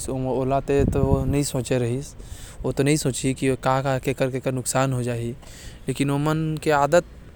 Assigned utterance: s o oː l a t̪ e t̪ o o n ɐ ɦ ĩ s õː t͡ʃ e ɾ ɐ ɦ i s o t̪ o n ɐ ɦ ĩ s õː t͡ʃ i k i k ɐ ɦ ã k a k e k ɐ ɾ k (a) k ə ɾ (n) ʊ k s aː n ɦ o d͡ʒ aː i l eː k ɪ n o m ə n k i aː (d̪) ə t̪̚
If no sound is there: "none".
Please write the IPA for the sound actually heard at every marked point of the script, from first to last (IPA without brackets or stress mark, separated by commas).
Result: e, n, d̪